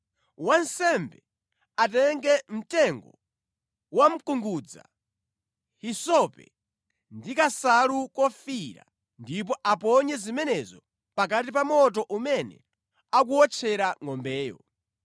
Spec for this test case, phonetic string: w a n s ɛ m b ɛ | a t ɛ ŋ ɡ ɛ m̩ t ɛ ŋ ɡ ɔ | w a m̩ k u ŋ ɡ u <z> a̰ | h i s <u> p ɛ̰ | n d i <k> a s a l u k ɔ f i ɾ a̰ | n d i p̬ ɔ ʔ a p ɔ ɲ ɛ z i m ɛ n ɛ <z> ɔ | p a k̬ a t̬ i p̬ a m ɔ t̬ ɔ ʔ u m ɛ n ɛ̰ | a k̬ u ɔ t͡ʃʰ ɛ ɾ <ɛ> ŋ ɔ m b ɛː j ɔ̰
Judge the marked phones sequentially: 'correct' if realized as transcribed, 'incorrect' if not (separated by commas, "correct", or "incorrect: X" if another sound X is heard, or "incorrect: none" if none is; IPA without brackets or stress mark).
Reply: incorrect: d͡z, incorrect: ɔ, correct, correct, incorrect: a